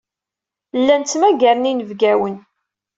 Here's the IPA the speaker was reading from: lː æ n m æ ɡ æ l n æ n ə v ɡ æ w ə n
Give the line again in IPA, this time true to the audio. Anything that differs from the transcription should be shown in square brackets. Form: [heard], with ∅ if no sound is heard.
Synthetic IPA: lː æ n m æ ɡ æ [ɾ] n [i] n ə v ɡ æ w ə n